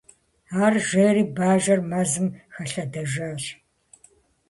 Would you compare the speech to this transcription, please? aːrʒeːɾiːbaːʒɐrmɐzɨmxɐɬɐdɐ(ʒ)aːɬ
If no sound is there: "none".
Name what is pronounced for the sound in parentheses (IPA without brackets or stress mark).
ʒ